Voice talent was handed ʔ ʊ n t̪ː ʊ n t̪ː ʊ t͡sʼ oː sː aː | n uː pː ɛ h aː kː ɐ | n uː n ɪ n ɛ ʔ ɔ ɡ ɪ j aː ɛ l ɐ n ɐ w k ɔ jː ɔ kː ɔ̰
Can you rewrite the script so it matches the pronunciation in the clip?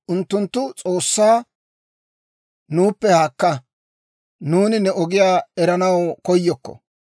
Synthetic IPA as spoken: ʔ ʊ n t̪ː ʊ n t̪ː ʊ t͡sʼ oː sː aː | n uː pː ɛ h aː kː ɐ | n uː n ɪ n ɛ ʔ ɔ ɡ ɪ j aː ɛ ɾ ɐ n ɐ w k ɔ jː ɔ kː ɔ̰